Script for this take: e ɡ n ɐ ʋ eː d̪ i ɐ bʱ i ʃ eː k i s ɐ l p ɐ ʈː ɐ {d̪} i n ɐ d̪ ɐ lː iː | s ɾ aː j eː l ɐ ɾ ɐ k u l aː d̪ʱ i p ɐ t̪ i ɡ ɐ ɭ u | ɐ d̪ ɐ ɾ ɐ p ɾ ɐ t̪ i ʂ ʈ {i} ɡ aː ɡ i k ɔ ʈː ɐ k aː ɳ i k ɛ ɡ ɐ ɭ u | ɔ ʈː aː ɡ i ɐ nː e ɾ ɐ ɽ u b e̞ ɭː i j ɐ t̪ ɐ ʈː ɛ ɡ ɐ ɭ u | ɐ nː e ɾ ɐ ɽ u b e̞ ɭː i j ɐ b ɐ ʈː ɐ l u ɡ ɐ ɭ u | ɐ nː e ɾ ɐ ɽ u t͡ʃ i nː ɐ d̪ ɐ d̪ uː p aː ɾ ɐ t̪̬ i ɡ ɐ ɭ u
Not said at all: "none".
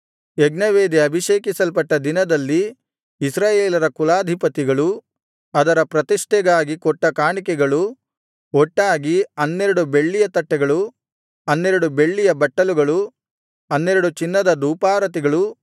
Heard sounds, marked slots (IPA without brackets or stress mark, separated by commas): d̪, ɛ